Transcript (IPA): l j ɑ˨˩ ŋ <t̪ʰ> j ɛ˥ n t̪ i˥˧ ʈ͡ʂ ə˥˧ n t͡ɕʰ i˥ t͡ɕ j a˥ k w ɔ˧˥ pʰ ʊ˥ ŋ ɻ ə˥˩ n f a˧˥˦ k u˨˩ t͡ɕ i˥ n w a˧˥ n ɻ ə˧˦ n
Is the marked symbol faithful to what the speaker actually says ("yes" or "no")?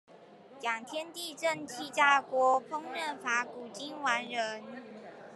yes